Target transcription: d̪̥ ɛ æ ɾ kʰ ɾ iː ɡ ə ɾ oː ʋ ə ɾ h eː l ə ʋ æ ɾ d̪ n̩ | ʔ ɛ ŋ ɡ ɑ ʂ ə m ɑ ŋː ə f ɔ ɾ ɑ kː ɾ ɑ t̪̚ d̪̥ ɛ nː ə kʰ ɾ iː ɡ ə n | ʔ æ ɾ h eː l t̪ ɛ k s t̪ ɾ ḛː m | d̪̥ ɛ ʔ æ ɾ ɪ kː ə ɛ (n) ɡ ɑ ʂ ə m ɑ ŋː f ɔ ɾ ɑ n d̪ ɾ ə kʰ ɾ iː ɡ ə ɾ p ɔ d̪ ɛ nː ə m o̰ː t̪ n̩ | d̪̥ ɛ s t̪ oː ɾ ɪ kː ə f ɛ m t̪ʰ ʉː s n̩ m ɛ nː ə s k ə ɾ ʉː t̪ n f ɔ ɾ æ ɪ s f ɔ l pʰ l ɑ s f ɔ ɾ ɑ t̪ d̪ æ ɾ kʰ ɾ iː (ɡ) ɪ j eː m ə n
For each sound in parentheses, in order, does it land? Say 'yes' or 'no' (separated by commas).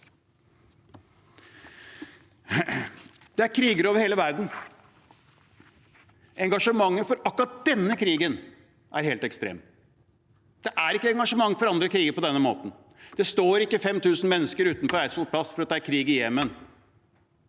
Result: no, yes